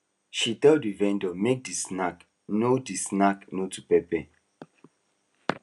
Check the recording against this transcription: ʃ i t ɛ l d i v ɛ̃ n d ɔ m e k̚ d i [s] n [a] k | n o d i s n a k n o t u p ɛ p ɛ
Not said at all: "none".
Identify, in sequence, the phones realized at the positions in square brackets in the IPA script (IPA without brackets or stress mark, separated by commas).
s, a